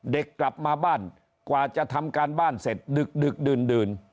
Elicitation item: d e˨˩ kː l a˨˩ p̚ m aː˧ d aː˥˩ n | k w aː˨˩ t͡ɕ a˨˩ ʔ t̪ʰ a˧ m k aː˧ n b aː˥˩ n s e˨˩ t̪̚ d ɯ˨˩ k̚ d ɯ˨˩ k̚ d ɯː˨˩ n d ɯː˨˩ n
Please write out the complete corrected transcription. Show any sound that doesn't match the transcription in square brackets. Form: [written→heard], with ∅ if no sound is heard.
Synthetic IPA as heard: d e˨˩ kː l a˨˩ p̚ m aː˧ [d→b] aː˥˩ n | k w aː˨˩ t͡ɕ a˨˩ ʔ t̪ʰ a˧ m k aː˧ n b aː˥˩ n s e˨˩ t̪̚ d ɯ˨˩ k̚ d ɯ˨˩ k̚ d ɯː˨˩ n d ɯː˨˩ n